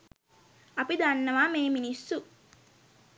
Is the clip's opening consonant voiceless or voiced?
voiceless